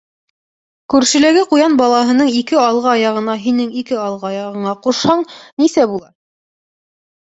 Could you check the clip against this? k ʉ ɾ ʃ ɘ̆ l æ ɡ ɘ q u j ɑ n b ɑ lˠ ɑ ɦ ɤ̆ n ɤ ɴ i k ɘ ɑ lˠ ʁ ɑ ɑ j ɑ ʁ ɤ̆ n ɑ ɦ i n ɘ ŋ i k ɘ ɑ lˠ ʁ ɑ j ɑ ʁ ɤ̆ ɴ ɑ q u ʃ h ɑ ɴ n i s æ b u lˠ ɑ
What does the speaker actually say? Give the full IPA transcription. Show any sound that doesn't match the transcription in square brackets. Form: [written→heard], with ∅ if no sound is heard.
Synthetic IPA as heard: k ʉ ɾ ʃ ɘ̆ l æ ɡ ɘ q u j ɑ n b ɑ lˠ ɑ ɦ ɤ̆ n ɤ ɴ i k ɘ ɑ lˠ ʁ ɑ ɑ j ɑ ʁ ɤ̆ n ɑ ɦ i n ɘ ŋ i k ɘ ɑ lˠ ʁ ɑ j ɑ ʁ ɤ̆ ɴ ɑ q u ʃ h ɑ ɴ n i s æ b u lˠ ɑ